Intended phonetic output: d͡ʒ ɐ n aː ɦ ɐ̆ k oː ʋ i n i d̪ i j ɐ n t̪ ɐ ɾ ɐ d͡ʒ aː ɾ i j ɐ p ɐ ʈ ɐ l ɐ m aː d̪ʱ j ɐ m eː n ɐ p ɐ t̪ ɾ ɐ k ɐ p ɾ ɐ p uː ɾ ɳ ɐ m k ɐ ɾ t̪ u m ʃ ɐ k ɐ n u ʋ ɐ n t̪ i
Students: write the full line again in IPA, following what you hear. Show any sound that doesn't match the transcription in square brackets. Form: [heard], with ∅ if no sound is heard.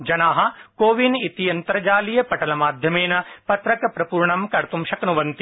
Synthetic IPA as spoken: d͡ʒ ɐ n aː ɦ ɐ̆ k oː ʋ i n i [t̪] i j ɐ n t̪ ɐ ɾ ɐ d͡ʒ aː [l] i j ɐ p ɐ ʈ ɐ l ɐ m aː d̪ʱ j ɐ m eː n ɐ p ɐ t̪ ɾ ɐ k ɐ p ɾ ɐ p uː ɾ ɳ ɐ m k ɐ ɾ t̪ u m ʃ ɐ k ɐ n u ʋ ɐ n t̪ i